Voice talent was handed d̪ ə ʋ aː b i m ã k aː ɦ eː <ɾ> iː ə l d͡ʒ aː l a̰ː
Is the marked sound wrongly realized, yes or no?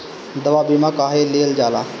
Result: yes